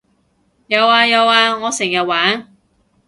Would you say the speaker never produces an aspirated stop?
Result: yes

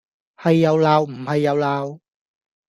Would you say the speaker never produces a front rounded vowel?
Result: yes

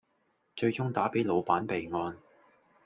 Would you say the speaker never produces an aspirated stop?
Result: yes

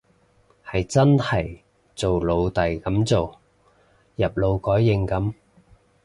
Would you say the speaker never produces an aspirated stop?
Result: yes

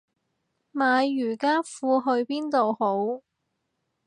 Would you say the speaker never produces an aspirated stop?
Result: yes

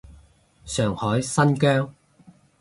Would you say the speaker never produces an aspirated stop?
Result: yes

